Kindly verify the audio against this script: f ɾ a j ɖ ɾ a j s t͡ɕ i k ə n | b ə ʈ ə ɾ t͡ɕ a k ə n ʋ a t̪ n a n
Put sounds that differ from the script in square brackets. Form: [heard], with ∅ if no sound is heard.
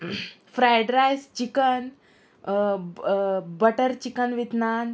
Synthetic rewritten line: f ɾ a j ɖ ɾ a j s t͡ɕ i k ə n | b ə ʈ ə ɾ t͡ɕ [i] k ə n ʋ [i] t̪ n a n

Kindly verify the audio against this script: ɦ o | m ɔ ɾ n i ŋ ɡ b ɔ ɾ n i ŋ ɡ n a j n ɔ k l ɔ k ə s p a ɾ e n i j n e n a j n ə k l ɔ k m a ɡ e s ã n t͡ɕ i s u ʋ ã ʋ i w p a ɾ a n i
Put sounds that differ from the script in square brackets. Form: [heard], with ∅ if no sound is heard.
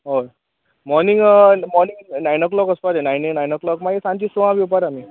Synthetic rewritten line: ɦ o | m ɔ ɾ n i ŋ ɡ [m] ɔ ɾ n i ŋ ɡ n a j n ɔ k l ɔ k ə s p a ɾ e n [a] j n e n a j n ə k l ɔ k m a ɡ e s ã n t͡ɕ i s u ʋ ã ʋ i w p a ɾ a [m] i

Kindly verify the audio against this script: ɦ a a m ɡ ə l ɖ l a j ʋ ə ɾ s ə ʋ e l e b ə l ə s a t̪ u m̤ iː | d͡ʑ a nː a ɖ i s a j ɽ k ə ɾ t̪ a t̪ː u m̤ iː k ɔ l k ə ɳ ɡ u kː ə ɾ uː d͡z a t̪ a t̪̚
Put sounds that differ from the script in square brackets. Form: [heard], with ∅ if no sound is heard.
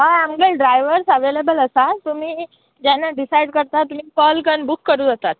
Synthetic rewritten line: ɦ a a m ɡ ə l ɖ [ɾ] a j ʋ ə ɾ s ə ʋ e l e b ə l ə s a t̪ u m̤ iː | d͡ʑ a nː a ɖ i s a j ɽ k ə ɾ t̪ a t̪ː u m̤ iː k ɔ l k ə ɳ [b] u kː ə ɾ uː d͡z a t̪ a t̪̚

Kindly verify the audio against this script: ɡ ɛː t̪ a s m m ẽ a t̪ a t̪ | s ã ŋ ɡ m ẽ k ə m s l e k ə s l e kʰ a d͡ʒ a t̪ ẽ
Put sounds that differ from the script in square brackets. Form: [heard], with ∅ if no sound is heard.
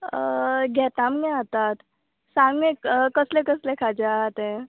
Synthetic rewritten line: ɡ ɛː t̪ a [∅] m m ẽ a t̪ a t̪ | s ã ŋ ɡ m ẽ k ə [∅] s l e k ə s l e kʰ a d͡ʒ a t̪ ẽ

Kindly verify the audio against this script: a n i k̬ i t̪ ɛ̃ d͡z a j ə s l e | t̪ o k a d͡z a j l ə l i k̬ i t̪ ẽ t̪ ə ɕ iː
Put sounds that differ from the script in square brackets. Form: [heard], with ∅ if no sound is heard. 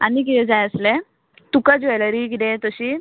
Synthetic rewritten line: a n i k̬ i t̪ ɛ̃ d͡z a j ə s l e | t̪ [u] k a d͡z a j l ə [ɾ] i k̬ i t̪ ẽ t̪ ə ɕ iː

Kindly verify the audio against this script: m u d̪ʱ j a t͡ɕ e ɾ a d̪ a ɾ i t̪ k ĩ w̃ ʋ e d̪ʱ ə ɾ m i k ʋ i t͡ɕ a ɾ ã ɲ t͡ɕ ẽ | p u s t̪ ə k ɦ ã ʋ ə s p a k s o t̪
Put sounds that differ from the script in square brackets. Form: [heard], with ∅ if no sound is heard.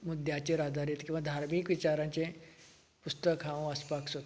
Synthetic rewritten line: m u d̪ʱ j a t͡ɕ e ɾ a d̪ a ɾ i t̪ k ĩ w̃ ʋ [a] d̪ʱ [a] ɾ m i k ʋ i t͡ɕ a ɾ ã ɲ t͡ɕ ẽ | p u s t̪ ə k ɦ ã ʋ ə s p a k s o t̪

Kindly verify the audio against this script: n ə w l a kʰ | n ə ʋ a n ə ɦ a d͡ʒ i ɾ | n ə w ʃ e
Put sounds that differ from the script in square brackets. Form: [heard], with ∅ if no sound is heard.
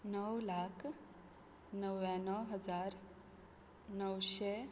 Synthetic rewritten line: n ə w l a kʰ | n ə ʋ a n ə ɦ [ə] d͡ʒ [a] ɾ | n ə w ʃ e

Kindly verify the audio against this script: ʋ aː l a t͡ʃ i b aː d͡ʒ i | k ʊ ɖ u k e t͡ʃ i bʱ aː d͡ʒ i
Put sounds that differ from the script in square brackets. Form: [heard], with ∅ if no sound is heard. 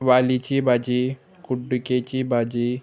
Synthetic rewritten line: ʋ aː l [i] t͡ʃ i b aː d͡ʒ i | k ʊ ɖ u k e t͡ʃ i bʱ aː d͡ʒ i

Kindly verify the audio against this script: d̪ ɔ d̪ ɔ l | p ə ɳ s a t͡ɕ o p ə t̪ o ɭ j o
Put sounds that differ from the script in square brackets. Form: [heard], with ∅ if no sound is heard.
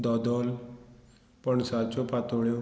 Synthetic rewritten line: d̪ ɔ d̪ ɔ l | p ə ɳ s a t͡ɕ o p [a] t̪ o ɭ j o

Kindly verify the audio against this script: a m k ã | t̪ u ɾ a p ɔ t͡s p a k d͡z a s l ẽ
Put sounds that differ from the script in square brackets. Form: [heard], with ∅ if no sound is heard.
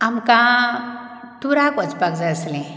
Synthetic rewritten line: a m k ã | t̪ u ɾ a [k] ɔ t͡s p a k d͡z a s l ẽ

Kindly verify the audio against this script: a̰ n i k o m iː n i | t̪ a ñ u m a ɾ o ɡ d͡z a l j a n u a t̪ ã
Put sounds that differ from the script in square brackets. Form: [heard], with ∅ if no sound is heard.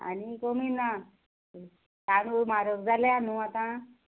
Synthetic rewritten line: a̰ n i k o m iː n [a] | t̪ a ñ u m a ɾ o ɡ d͡z a l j a n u a t̪ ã

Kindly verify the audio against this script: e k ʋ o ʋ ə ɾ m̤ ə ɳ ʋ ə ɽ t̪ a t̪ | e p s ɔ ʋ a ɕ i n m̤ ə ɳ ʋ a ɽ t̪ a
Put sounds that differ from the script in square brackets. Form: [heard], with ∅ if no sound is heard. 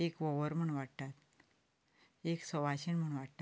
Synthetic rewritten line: e k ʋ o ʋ ə ɾ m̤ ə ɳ ʋ [a] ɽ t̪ a t̪ | e [k] s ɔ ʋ a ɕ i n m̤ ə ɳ ʋ a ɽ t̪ a

